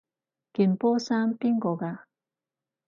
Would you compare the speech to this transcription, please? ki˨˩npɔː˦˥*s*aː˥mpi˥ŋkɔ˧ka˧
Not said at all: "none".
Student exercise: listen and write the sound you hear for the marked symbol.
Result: s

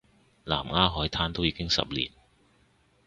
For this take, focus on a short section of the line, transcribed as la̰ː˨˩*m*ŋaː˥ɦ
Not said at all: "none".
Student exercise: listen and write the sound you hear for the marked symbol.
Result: m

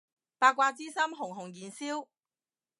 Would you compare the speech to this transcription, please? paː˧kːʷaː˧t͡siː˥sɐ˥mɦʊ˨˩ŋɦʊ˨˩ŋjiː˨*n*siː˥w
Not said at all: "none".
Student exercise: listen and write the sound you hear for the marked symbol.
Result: n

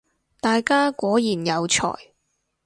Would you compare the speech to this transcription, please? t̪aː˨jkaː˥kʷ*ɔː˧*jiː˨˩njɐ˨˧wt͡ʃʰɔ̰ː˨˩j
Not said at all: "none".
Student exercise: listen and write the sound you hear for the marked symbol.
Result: ɔː˨˥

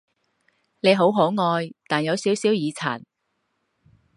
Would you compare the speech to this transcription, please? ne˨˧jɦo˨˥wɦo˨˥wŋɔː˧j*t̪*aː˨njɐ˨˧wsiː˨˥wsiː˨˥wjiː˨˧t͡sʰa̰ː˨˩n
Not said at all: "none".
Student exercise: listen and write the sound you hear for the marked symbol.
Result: t̪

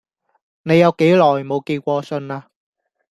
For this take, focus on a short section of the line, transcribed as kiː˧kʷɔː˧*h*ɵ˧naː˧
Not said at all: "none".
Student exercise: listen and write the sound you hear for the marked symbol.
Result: s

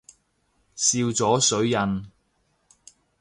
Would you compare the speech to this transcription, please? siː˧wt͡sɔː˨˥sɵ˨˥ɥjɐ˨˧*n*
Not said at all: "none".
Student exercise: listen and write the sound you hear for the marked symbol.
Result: n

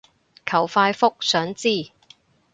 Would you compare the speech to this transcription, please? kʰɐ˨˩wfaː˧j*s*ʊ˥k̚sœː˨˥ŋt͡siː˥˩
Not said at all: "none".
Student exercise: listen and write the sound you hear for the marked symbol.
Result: f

